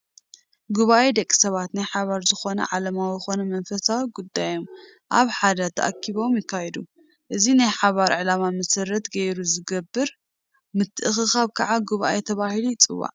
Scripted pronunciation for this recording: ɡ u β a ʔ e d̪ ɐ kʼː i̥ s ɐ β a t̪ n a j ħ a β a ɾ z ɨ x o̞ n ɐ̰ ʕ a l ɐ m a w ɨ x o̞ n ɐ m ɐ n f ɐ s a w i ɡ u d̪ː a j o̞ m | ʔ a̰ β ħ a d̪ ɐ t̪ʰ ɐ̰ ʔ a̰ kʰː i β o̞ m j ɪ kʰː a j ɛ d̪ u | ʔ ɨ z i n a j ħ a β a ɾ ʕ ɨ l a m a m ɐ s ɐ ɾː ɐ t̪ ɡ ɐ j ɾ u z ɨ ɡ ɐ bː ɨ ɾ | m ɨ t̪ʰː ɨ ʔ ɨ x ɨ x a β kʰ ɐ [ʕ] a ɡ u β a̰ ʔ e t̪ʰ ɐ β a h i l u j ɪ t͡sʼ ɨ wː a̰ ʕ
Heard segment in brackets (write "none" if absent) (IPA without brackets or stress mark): ʕ